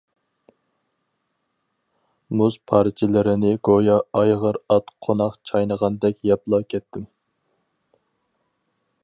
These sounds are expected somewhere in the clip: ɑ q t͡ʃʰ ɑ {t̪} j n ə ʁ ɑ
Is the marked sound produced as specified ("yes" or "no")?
no